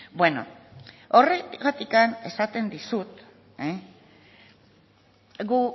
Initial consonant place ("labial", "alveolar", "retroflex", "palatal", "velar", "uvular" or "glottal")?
labial